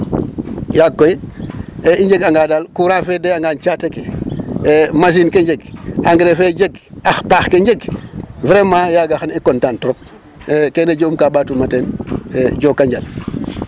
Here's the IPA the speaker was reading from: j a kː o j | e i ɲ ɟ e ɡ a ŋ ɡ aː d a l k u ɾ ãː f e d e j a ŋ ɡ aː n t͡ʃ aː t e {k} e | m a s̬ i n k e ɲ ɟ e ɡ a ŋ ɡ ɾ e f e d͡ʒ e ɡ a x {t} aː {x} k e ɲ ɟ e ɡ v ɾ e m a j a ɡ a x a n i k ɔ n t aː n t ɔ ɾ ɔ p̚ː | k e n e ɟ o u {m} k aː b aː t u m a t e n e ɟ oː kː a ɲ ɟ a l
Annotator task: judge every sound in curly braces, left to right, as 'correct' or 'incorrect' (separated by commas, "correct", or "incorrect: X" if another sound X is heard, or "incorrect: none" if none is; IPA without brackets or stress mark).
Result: correct, incorrect: p, correct, correct